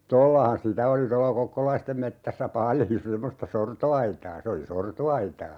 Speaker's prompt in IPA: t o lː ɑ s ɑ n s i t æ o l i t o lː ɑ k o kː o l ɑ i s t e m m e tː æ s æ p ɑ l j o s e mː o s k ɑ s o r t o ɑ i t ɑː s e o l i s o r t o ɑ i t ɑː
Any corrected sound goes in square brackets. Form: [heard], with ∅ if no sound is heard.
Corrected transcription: t o lː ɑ [h] ɑ n s i t æ o l i t o lː ɑ k o kː o l ɑ i s t e m m e tː æ [sː] æ p ɑ l j o s e mː o s [t] ɑ s o r t o ɑ i t ɑː s e o l i s o r t o ɑ i t ɑː